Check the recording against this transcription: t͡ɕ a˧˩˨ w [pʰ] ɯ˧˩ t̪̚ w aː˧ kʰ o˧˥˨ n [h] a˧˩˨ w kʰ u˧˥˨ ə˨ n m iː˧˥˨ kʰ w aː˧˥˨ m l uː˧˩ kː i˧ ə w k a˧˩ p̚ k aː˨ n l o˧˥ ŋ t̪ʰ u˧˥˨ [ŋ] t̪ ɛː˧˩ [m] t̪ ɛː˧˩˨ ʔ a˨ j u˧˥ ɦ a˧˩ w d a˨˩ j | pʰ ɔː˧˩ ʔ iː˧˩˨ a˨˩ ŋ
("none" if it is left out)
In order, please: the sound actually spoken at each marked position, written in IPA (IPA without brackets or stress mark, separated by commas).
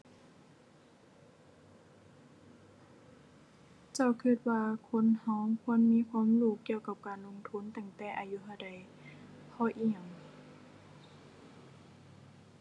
kʰ, h, n, ŋ